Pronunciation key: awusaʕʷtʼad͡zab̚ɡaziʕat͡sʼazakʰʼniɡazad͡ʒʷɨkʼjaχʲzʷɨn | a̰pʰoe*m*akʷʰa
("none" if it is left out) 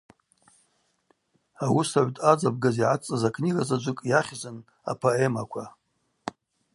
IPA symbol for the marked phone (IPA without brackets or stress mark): m